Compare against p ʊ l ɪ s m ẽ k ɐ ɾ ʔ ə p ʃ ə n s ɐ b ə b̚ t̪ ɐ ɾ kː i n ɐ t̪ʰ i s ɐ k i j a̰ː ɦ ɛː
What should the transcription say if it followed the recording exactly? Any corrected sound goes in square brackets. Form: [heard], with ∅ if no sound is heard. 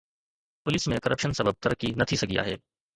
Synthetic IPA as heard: p ʊ l ɪ s m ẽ k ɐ ɾ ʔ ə p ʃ ə n s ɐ b ə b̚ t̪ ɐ ɾ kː i n ɐ t̪ʰ i s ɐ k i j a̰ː ɦ ɛː

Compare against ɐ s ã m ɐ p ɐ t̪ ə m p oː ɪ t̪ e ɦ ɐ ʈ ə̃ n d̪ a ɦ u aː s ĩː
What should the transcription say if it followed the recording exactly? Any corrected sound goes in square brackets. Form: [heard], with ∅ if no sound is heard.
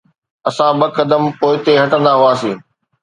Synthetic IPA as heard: ɐ s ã [b] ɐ [k] ɐ [d̪] ə m p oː ɪ t̪ e ɦ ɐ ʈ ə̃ n d̪ a ɦ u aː s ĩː

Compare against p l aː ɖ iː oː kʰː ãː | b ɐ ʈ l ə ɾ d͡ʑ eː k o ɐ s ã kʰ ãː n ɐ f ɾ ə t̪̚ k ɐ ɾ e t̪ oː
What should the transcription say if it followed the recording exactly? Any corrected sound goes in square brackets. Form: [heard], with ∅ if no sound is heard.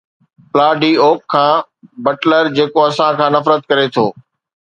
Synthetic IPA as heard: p l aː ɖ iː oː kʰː ãː | b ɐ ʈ l ə ɾ d͡ʑ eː k o ɐ s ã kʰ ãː n ɐ f ɾ ə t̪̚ k ɐ ɾ e [t̪ʰ] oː

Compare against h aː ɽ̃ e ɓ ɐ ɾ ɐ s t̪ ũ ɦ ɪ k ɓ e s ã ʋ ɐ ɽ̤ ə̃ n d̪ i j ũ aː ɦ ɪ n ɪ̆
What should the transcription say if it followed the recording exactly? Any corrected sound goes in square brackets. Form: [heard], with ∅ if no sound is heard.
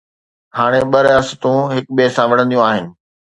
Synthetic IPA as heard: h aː ɽ̃ e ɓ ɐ ɾ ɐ s t̪ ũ ɦ ɪ k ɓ e s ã ʋ ɐ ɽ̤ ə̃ n d̪ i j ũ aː ɦ ɪ n ɪ̆

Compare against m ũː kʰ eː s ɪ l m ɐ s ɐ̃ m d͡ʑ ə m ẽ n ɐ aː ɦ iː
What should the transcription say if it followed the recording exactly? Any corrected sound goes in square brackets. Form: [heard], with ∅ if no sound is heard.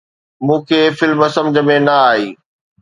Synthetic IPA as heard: m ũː kʰ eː [f] ɪ l m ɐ s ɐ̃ m d͡ʑ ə m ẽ n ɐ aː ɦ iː

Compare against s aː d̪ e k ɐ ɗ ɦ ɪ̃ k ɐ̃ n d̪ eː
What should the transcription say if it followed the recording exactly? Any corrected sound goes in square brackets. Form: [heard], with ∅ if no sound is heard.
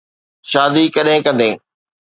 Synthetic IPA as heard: [ʃ] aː d̪ [i] k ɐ ɗ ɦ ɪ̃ k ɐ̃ n d̪ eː

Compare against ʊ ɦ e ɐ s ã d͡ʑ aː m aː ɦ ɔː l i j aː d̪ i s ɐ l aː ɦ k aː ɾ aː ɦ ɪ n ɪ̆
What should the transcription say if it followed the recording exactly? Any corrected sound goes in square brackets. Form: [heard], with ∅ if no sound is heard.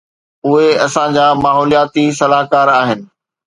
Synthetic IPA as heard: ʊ ɦ e ɐ s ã d͡ʑ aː m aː ɦ ɔː l i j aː [t̪] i s ɐ l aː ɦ k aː ɾ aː ɦ ɪ n ɪ̆

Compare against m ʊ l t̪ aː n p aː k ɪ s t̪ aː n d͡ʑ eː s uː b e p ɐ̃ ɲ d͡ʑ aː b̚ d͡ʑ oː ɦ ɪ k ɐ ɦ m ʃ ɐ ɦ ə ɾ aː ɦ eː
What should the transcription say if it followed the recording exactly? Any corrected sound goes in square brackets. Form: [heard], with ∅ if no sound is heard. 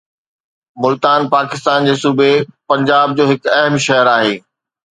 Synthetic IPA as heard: m ʊ l t̪ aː n p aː k ɪ s t̪ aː n d͡ʑ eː s uː b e p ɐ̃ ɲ d͡ʑ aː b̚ d͡ʑ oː ɦ ɪ k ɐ ɦ m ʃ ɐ ɦ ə ɾ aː ɦ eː

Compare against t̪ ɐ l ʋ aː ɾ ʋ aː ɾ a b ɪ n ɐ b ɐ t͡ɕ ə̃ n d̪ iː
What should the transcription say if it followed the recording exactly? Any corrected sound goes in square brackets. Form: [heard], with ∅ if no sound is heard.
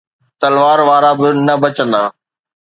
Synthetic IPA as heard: t̪ ɐ l ʋ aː ɾ ʋ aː ɾ a b ɪ n ɐ b ɐ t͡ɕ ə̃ n d̪ [aː]

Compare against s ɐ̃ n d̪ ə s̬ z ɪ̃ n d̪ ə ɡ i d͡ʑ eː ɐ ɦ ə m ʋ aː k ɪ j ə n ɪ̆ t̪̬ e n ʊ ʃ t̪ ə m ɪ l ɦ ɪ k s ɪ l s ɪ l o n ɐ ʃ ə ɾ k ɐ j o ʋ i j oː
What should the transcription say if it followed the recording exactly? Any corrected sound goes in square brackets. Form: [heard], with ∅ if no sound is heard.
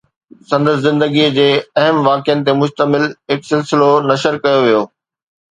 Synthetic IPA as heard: s ɐ̃ n d̪ ə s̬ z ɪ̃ n d̪ ə ɡ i d͡ʑ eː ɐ ɦ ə m ʋ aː k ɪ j ə n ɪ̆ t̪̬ e [m] ʊ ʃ t̪ ə m ɪ l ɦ ɪ k s ɪ l s ɪ l o n ɐ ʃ ə ɾ k ɐ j o ʋ i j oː

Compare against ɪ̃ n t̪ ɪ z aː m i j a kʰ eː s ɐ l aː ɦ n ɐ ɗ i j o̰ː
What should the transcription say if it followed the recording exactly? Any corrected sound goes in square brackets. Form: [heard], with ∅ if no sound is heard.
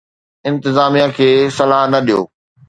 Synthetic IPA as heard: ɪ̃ n t̪ ɪ z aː m i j a kʰ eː s ɐ l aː ɦ n ɐ ɗ i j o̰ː

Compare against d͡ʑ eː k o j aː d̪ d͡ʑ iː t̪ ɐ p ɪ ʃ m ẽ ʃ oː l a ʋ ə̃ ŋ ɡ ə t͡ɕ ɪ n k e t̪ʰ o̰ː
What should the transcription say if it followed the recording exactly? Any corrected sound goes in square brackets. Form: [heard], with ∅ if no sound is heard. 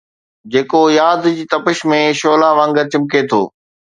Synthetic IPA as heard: d͡ʑ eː k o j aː d̪ d͡ʑ iː t̪ ɐ p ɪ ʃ m ẽ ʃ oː l a ʋ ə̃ ŋ ɡ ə t͡ɕ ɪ [m] k e t̪ʰ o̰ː

